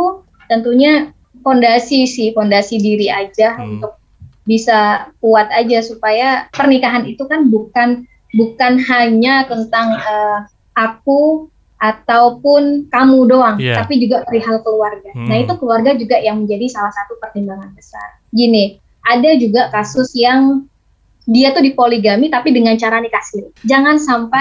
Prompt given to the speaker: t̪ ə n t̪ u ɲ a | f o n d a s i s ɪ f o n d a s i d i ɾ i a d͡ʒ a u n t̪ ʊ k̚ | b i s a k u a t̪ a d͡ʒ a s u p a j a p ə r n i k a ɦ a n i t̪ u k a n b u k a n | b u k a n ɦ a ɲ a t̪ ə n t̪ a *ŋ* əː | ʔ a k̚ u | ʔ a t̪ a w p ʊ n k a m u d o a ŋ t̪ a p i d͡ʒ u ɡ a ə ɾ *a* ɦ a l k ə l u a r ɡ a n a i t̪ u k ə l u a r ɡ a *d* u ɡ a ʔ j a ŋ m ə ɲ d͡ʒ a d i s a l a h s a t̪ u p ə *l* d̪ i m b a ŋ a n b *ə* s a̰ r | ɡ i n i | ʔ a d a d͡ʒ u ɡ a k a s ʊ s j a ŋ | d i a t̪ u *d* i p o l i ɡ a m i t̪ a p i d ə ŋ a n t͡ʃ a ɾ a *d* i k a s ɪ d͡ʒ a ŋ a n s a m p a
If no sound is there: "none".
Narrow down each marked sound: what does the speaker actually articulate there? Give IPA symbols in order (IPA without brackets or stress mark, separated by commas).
ŋ, i, d͡ʒ, r, ə, d, n